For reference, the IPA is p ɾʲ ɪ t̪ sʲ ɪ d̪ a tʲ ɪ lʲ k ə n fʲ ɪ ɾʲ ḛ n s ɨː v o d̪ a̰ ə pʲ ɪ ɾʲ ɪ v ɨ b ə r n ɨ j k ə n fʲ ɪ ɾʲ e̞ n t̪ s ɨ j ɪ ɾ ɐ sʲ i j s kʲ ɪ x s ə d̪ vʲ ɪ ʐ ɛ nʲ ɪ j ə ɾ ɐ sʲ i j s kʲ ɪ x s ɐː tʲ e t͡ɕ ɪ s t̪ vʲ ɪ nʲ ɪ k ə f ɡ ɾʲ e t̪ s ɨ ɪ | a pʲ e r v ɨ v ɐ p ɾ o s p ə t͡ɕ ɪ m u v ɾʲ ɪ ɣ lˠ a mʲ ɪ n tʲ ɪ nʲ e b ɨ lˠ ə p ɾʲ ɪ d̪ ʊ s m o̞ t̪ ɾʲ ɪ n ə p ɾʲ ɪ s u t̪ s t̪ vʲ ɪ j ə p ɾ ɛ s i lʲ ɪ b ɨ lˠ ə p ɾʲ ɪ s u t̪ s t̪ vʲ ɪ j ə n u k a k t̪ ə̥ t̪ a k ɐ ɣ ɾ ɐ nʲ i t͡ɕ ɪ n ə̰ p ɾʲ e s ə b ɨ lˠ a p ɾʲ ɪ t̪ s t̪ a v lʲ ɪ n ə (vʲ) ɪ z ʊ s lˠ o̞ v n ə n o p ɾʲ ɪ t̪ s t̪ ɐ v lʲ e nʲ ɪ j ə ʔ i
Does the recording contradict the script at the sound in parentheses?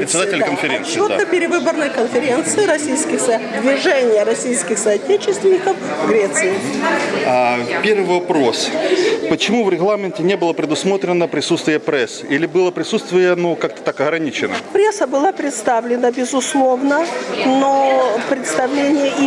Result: yes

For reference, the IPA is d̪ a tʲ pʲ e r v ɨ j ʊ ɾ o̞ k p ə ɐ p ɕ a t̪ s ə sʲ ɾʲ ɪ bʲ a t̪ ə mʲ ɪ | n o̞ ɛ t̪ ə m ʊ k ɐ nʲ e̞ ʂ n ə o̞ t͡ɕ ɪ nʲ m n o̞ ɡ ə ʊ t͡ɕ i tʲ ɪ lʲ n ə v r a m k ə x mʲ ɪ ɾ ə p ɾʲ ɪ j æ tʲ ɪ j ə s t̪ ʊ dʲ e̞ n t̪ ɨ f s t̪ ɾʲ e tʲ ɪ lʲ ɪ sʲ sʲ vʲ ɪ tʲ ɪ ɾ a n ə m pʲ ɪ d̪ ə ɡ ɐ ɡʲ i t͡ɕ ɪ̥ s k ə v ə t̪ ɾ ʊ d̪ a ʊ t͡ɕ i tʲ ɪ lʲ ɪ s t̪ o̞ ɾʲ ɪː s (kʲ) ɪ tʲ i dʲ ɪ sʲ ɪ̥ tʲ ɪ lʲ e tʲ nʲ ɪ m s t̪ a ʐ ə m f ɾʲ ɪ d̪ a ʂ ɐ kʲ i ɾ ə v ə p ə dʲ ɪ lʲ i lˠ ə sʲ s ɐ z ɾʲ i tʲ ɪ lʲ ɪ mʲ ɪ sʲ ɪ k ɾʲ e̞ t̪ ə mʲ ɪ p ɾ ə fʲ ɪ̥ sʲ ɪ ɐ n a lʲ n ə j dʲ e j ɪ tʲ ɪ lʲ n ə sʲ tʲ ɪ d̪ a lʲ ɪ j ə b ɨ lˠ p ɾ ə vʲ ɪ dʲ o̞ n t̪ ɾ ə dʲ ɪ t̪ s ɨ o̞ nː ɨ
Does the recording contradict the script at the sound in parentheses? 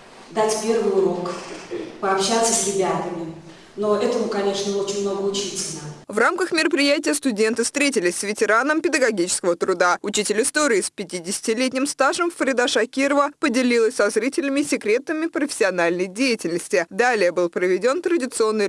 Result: yes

